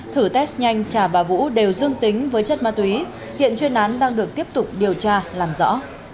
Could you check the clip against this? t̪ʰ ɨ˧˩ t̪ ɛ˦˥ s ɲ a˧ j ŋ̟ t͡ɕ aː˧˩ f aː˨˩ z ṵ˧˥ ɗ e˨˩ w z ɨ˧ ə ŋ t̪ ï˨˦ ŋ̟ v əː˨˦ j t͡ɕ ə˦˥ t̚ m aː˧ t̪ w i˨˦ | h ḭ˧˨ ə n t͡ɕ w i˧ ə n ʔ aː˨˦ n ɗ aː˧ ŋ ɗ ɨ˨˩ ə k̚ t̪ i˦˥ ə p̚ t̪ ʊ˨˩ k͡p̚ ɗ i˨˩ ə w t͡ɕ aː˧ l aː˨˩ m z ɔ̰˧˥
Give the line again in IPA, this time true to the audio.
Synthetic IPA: t̪ʰ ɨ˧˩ t̪ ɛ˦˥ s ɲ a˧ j ŋ̟ t͡ɕ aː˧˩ v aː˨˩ v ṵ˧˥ ɗ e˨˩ w z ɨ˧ ə ŋ t̪ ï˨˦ ŋ̟ v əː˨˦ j t͡ɕ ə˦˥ t̚ m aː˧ t̪ w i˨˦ | h ḭ˧˨ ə n t͡ɕ w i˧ ə n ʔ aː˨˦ n ɗ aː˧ ŋ ɗ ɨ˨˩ ə k̚ t̪ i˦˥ ə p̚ t̪ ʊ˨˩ k͡p̚ ɗ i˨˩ ə w t͡ɕ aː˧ l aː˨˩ m z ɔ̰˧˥